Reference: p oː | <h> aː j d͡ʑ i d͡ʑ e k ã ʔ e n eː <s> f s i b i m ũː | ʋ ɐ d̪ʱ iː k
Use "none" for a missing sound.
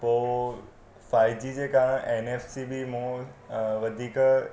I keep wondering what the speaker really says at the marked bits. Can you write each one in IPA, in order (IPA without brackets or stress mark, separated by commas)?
f, none